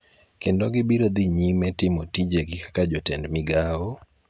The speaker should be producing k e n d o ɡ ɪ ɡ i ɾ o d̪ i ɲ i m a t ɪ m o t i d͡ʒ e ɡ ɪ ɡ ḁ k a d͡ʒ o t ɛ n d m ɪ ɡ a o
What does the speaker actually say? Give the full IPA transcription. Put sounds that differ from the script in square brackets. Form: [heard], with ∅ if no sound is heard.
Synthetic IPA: k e n d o ɡ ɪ [b] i ɾ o d̪ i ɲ i m [ɛ] t ɪ m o t i d͡ʒ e ɡ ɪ [k] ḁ k a d͡ʒ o t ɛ n d m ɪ ɡ a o